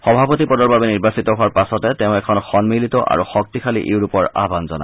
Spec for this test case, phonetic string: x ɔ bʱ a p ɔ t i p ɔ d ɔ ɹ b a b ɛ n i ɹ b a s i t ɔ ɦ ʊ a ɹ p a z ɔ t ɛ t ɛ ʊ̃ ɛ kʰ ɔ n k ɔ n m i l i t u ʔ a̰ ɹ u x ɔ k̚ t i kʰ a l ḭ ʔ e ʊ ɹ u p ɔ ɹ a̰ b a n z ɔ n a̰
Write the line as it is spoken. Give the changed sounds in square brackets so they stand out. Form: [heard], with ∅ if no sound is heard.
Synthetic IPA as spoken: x ɔ bʱ a p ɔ t i p ɔ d ɔ ɹ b a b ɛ n i ɹ b a s i t ɔ ɦ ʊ a ɹ p a [s] ɔ t ɛ t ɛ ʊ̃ ɛ kʰ ɔ n [x] ɔ n m i l i t [ɔ] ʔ a̰ ɹ u x ɔ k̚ t i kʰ a l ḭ ʔ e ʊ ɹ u p ɔ ɹ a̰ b a n z ɔ n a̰